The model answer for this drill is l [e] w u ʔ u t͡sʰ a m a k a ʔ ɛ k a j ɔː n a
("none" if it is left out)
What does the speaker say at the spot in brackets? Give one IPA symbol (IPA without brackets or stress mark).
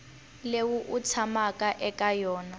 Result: e